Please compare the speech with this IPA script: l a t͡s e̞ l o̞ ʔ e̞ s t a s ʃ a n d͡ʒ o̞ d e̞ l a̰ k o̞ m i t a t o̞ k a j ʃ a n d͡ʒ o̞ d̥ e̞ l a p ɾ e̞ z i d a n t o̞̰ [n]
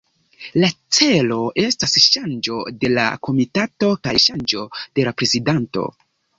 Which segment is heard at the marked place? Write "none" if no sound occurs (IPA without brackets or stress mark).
none